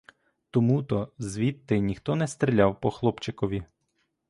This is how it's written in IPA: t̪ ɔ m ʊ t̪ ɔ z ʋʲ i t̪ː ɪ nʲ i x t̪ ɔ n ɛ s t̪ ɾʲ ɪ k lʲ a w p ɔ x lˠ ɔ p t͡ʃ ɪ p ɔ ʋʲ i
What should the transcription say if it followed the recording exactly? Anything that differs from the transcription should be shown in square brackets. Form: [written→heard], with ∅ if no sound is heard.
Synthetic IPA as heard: t̪ ɔ m [ʊ→u] t̪ ɔ z ʋʲ i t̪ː ɪ nʲ i x t̪ ɔ n ɛ s t̪ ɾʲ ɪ [k→∅] lʲ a w p ɔ x lˠ ɔ p t͡ʃ ɪ [p→k] ɔ ʋʲ i